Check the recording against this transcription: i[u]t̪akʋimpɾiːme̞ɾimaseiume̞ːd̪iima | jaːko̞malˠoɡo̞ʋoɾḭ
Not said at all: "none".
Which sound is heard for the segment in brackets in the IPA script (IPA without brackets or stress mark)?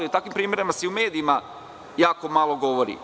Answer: u